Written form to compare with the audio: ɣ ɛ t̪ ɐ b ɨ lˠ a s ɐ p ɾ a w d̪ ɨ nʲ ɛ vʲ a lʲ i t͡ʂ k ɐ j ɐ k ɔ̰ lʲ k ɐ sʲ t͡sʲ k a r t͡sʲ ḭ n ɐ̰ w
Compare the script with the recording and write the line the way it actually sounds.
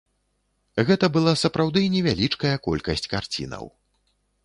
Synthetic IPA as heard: ɣ ɛ t̪ ɐ b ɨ lˠ a s ɐ p ɾ a w d̪ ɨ nʲ ɛ vʲ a lʲ i t͡ʂ k ɐ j ɐ k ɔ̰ lʲ k ɐ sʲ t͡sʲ k a r t͡sʲ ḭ n ɐ̰ w